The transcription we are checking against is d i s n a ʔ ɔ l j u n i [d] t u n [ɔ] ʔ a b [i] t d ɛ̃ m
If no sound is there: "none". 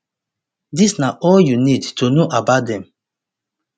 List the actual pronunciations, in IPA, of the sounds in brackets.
d, o, a

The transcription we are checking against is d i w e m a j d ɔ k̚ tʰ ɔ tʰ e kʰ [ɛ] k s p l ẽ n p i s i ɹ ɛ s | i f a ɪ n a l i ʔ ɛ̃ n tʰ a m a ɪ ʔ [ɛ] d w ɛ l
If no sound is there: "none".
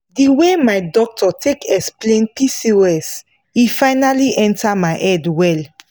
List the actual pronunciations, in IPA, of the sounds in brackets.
ɛ, ɛ

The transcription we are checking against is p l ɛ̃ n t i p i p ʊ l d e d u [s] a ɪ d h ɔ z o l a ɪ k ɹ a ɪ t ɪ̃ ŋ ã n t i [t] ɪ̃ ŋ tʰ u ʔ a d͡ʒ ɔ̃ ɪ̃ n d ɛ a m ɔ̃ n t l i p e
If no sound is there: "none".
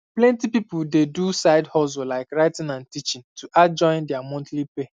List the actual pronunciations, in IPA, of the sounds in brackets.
s, t͡ʃ

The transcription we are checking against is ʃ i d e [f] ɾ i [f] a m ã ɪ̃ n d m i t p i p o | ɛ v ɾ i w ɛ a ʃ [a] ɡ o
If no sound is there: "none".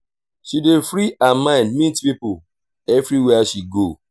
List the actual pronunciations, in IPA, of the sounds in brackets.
f, none, i

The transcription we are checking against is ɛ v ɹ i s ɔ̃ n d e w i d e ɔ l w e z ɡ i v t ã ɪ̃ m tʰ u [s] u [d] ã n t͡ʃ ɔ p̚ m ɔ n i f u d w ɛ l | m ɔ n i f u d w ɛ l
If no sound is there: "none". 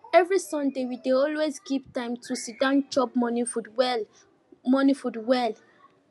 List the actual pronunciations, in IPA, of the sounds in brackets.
s, d

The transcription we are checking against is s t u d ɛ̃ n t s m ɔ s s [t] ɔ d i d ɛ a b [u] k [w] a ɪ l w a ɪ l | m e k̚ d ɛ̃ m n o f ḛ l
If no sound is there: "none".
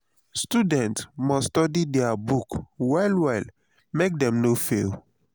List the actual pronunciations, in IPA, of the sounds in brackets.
t, u, w

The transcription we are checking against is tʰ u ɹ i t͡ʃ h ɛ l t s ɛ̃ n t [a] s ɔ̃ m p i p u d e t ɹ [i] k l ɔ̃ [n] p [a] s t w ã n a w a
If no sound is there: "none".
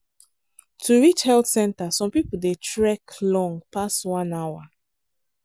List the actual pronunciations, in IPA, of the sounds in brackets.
a, ɛ, ŋ, a

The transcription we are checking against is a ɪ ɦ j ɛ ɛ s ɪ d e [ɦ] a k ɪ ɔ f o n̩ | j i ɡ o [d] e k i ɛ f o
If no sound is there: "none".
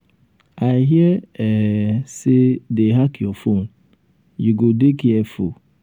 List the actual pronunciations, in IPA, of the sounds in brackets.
ɦ, d

